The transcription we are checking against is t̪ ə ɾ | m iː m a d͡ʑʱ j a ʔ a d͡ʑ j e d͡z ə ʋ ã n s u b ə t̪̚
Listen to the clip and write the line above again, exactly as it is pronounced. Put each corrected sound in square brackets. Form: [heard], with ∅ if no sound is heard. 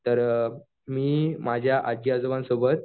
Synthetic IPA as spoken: t̪ ə ɾ | m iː m a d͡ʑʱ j a ʔ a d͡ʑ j [a] d͡z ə ʋ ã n s [o] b ə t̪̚